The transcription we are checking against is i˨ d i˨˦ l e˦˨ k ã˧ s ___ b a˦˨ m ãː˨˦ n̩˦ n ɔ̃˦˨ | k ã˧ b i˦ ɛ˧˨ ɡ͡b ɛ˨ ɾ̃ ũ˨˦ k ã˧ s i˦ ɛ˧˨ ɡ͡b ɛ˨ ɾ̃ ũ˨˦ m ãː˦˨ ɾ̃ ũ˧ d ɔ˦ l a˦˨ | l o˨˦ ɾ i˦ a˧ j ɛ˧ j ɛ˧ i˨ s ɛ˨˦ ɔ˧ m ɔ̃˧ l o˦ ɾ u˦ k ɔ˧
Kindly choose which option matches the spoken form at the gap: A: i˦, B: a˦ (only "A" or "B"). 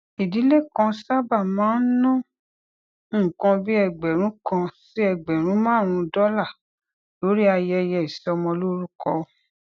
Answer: B